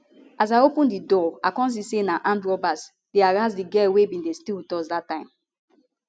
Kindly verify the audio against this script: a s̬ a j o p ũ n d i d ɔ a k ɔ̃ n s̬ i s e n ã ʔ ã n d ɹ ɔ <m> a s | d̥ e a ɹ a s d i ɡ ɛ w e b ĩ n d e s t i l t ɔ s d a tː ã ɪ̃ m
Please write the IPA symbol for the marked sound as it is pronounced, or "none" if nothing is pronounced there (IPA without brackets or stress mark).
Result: b